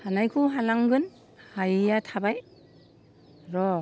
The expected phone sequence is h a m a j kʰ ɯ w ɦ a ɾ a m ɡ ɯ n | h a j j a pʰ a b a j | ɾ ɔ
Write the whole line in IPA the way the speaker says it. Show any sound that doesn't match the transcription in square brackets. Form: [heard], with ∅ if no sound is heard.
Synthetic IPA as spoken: h a [n] a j kʰ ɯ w ɦ a [l] a [ŋ] ɡ ɯ n | h a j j a [tʰ] a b a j | ɾ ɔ